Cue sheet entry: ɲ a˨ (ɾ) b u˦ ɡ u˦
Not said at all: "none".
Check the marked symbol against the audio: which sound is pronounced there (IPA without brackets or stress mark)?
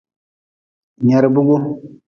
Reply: ɾ